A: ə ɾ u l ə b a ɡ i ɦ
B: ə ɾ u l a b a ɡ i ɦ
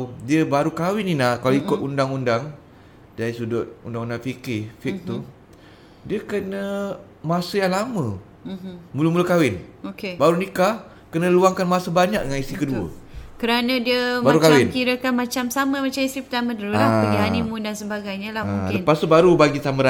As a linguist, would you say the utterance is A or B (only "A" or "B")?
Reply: B